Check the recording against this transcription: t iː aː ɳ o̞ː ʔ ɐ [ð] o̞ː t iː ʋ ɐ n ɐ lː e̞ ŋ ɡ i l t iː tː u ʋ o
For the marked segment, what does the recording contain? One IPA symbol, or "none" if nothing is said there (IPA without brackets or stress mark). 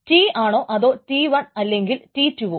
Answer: ð